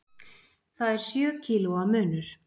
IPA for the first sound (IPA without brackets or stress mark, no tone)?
θ